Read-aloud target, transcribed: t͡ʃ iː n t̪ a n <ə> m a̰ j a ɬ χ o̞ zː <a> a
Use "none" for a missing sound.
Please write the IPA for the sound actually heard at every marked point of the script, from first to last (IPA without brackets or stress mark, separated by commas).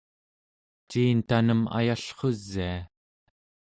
ə, i